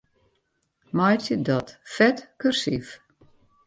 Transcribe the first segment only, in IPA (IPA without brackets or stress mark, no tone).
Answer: m